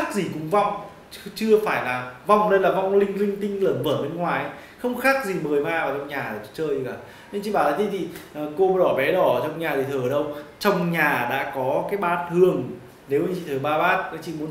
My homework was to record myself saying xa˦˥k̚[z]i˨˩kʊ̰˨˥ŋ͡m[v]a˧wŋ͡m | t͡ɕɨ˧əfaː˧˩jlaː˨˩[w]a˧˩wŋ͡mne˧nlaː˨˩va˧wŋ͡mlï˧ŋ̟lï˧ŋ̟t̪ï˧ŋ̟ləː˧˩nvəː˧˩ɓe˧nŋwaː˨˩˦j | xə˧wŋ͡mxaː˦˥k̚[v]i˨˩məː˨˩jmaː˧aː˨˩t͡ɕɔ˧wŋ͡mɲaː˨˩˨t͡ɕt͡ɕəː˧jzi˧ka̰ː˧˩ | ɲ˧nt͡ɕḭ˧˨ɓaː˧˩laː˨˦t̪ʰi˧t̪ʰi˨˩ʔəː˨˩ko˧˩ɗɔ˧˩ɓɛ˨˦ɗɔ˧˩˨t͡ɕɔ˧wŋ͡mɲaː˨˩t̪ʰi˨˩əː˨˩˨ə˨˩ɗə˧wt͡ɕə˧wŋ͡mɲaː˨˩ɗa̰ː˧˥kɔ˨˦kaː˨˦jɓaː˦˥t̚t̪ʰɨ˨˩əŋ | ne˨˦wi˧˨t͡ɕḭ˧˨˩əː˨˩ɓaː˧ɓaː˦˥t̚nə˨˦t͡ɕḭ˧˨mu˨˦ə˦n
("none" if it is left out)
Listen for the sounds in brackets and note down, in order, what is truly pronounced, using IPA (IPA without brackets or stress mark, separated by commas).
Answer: z, v, v, z